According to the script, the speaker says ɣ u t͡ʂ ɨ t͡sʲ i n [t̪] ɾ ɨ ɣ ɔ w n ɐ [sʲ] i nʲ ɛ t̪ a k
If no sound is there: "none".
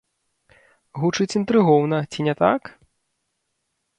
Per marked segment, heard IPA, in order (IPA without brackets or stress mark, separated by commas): t̪, t͡sʲ